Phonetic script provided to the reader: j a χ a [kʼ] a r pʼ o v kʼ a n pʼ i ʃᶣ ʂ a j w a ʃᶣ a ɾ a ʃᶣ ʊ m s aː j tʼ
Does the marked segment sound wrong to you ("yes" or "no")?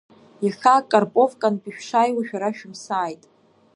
no